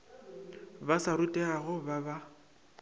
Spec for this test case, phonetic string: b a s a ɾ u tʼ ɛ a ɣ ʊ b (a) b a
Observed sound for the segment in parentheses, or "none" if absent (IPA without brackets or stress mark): a